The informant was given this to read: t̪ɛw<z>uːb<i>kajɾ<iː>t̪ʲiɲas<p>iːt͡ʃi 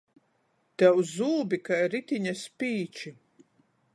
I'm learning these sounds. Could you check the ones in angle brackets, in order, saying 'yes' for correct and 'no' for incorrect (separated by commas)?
yes, yes, no, yes